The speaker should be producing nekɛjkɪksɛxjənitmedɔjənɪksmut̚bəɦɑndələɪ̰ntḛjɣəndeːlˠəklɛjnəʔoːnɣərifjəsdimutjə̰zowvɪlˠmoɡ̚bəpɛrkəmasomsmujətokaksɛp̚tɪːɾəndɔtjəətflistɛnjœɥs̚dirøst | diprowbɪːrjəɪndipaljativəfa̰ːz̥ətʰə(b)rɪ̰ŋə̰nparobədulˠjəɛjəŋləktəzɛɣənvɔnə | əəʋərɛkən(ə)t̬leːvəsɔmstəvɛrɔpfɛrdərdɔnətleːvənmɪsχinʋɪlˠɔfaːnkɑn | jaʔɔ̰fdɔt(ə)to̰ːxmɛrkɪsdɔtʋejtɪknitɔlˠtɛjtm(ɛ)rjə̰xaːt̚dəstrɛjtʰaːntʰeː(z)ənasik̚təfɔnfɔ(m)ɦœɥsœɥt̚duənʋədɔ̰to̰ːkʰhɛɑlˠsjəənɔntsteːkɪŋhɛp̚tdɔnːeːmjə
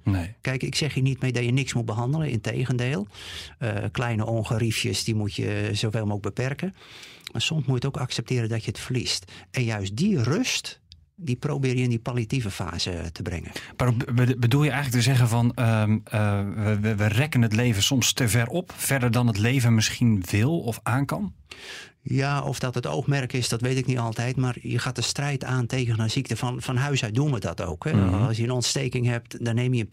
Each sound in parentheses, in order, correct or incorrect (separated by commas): correct, correct, correct, incorrect, incorrect, incorrect